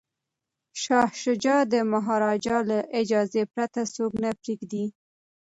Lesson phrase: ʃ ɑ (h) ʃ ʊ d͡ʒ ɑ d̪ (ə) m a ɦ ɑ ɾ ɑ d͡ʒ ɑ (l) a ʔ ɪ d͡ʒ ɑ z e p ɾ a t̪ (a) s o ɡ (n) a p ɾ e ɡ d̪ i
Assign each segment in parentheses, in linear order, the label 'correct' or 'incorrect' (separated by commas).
correct, correct, correct, correct, correct